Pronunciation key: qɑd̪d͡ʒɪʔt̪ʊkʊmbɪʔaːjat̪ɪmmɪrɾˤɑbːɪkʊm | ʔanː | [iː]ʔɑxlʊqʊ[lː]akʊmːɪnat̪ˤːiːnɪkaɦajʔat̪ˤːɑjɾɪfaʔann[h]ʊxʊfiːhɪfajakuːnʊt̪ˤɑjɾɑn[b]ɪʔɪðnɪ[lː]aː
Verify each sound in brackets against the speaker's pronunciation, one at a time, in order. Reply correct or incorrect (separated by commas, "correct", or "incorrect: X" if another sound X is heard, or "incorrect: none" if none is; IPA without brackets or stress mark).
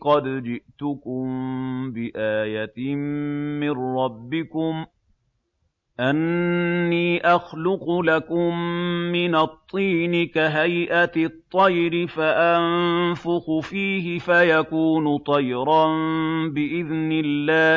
correct, incorrect: l, incorrect: f, correct, correct